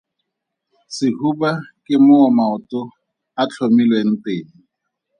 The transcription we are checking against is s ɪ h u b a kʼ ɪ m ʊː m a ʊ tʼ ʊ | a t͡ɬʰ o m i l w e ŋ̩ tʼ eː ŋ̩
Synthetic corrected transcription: s ɪ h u b a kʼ ɪ m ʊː m a ʊ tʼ ʊ | a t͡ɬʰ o m i l w e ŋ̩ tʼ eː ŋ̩

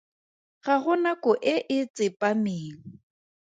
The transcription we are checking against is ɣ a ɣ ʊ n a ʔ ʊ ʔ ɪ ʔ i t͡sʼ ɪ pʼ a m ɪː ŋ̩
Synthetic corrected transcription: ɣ a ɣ ʊ n a k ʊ ʔ ɪ ʔ ɪ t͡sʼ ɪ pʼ a m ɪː ŋ̩

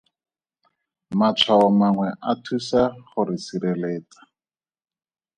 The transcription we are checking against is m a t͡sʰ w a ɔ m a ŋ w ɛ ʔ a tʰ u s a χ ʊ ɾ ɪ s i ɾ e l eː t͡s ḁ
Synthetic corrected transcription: m a t͡sʰ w a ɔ m a ŋ w ɛ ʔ a tʰ u s a χ ʊ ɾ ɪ s i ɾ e l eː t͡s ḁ

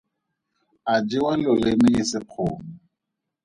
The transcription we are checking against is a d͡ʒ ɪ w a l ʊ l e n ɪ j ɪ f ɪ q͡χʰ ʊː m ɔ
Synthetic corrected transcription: a d͡ʒ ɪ w a l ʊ l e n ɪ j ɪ s ɪ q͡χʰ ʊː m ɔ

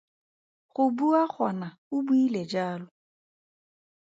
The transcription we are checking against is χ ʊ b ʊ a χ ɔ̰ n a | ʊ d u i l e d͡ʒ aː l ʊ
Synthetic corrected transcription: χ ʊ b u a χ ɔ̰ n a | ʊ b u i l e d͡ʒ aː l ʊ

